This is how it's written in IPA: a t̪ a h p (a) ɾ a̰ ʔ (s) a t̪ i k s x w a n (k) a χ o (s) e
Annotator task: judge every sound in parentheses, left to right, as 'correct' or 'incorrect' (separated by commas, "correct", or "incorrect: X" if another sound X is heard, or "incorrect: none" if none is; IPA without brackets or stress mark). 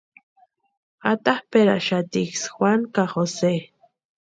incorrect: e, incorrect: ʃ, correct, correct